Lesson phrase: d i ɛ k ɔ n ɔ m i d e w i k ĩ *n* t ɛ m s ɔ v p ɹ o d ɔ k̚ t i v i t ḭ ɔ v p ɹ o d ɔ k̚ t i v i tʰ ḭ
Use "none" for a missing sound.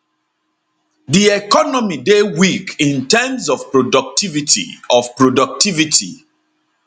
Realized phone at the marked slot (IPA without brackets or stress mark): n